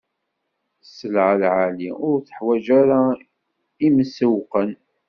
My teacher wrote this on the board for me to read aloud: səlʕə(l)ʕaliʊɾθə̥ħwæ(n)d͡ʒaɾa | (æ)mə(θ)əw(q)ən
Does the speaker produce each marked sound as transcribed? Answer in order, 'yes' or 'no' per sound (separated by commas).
yes, no, no, no, yes